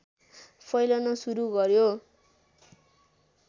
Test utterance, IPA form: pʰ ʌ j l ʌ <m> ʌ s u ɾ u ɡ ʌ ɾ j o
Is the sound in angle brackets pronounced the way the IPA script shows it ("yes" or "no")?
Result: no